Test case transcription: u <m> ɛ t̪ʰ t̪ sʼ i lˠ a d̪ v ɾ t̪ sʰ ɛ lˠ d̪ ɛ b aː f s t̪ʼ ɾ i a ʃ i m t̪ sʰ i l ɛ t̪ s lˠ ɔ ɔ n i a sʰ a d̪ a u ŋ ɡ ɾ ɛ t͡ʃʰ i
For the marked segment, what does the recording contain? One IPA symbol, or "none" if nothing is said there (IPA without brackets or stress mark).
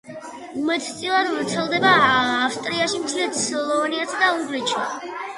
m